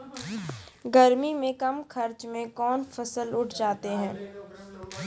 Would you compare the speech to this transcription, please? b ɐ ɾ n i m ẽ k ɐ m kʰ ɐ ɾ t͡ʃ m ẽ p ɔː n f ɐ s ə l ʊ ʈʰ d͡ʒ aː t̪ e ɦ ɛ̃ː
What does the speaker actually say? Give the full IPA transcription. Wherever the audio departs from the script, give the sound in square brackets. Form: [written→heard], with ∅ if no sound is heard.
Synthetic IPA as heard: [b→ɡ] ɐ ɾ [n→m] i m ẽ k ɐ m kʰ ɐ ɾ t͡ʃ m ẽ [p→k] ɔː n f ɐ s ə l ʊ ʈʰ d͡ʒ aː t̪ e ɦ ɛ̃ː